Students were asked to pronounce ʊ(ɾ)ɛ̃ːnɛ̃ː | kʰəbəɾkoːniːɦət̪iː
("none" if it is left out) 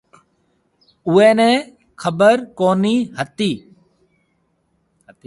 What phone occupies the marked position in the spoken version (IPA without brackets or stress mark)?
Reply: none